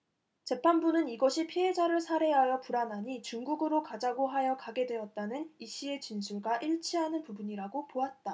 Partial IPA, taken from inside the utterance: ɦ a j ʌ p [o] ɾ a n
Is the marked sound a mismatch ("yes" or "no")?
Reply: yes